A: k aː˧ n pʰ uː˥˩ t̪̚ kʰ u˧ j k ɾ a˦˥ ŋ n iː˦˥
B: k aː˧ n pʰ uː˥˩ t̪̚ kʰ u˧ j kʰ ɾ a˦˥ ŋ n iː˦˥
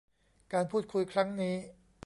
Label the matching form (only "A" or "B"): B